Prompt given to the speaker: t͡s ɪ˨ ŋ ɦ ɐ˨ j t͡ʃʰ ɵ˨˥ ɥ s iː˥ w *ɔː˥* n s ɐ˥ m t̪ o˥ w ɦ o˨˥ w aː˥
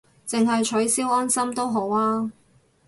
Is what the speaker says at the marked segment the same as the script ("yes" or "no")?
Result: yes